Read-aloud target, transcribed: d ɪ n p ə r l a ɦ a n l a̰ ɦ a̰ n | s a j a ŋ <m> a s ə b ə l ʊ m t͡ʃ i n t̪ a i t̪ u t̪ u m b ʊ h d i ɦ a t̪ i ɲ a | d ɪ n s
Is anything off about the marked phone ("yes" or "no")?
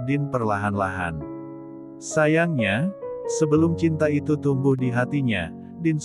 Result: yes